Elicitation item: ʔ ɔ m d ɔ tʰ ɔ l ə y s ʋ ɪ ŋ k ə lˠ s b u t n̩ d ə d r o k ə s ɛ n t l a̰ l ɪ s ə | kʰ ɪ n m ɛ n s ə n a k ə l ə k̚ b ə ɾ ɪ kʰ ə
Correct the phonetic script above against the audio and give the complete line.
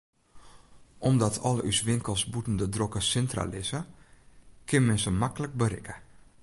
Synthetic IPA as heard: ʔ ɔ m d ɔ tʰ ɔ l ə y s ʋ ɪ ŋ k ə lˠ s b u t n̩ d ə d r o k ə s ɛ n t r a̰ l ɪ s ə | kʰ ɪ n m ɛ n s ə m a k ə l ə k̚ b ə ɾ ɪ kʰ ə